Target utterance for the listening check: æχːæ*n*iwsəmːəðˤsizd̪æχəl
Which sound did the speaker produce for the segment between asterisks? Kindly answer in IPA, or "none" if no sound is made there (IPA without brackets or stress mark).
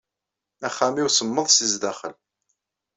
m